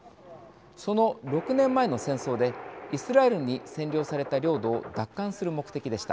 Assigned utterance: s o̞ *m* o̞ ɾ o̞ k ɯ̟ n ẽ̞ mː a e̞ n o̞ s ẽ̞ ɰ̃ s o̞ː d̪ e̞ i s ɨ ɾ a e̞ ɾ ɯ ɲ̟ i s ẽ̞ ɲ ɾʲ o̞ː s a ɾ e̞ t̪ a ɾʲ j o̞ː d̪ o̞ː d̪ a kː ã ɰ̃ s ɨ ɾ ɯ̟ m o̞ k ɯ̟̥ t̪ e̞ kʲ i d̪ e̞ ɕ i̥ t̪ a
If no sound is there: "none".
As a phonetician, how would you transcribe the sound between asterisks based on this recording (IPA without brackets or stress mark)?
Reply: n